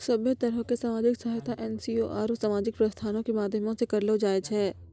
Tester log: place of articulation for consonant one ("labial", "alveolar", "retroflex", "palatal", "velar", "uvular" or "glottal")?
alveolar